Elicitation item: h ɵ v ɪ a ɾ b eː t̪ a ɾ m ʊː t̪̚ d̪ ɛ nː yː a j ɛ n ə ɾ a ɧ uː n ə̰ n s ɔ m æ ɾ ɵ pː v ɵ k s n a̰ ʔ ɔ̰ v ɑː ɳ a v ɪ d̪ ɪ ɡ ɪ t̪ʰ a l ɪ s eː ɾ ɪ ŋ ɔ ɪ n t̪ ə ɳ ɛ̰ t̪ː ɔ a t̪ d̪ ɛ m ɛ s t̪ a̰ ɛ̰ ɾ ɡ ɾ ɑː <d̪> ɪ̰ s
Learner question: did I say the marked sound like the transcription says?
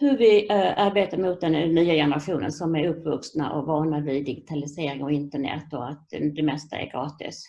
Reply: no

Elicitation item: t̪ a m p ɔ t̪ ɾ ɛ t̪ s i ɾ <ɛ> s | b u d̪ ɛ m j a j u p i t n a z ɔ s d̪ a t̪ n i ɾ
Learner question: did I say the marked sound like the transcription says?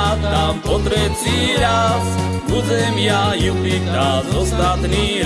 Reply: no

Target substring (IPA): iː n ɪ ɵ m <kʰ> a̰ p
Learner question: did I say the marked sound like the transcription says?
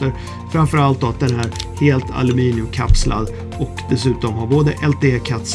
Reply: yes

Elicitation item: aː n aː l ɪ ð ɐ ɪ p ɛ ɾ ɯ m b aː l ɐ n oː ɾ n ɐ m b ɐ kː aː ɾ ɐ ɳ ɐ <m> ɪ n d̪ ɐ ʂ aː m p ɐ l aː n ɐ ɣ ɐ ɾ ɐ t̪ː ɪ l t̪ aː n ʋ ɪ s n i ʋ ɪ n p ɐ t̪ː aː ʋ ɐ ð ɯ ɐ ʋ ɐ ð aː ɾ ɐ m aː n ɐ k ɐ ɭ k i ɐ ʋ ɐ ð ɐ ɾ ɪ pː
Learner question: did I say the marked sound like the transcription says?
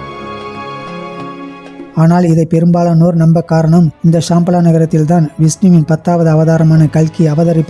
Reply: yes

